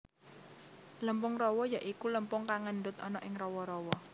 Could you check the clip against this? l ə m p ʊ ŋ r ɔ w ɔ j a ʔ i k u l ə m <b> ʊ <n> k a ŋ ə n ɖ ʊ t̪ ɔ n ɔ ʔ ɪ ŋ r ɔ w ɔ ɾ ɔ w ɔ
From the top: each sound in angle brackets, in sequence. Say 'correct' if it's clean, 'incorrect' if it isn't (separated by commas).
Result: incorrect, incorrect